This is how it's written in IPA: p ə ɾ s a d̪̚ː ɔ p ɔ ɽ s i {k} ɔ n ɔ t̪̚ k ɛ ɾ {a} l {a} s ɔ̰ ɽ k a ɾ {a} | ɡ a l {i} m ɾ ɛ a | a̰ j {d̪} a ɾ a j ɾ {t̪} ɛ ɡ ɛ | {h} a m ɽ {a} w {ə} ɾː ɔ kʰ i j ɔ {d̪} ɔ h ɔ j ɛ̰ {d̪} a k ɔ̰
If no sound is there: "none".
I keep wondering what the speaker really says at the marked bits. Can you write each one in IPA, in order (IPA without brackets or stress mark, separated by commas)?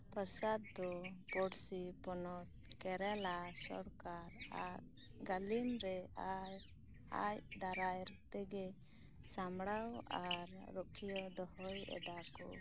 p, ɛ, a, a, i, d̪, t̪, s, a, a, d̪, d̪